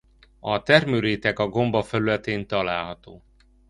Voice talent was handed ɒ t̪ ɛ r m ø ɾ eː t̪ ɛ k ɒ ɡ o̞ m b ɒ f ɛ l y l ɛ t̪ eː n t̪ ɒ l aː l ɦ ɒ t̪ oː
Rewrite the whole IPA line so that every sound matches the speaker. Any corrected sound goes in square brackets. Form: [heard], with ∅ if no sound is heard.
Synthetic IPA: ɒ t̪ ɛ r m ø ɾ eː t̪ ɛ k ɒ ɡ o̞ m b ɒ f ɛ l y l ɛ t̪ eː n t̪ ɒ l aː l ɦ ɒ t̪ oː